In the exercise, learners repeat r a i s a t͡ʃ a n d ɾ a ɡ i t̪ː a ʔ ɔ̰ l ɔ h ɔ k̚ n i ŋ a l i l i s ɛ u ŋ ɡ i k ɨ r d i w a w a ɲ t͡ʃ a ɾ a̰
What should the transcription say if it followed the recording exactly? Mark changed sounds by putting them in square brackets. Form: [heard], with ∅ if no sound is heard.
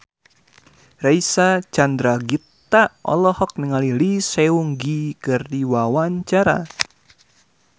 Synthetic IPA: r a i s a t͡ʃ a n d ɾ a ɡ i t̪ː a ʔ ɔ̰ l ɔ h ɔ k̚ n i ŋ a l i l i s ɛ u ŋ ɡ i k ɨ r d i w a w a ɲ t͡ʃ a ɾ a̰